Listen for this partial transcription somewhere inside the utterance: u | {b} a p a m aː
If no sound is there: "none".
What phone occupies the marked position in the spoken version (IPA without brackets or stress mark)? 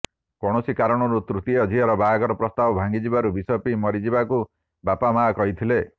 b